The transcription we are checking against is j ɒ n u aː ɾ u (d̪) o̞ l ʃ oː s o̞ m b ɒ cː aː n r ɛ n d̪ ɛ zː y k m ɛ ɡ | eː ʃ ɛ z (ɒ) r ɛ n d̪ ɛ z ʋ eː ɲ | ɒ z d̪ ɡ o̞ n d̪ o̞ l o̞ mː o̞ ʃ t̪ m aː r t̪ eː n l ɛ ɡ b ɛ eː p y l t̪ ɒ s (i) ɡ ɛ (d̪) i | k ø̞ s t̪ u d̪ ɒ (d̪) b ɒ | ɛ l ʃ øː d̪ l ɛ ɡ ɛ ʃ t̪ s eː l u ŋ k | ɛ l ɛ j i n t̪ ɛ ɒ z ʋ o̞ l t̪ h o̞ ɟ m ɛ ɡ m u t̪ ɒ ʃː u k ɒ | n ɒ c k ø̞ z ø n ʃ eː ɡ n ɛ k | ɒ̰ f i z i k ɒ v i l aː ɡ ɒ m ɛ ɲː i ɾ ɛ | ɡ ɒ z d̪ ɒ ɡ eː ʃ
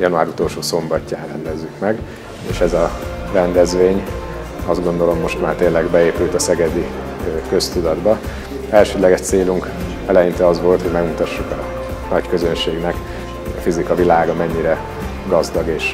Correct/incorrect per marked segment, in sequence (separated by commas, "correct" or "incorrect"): incorrect, correct, incorrect, correct, correct